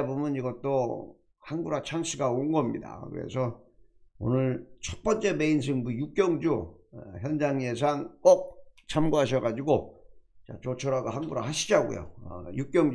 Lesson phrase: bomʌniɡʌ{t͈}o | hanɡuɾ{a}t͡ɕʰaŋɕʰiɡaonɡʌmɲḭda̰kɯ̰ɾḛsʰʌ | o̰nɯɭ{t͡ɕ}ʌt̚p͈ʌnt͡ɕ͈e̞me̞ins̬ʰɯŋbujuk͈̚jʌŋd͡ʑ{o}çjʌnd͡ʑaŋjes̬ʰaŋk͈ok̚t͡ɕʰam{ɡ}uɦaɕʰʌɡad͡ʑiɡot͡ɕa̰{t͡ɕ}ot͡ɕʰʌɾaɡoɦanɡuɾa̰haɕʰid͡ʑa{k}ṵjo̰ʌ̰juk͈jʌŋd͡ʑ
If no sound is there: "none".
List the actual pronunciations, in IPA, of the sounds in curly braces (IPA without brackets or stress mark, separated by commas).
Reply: t͈, a, t͡ɕʰ, u, ɡ, t͡ɕ, ɡ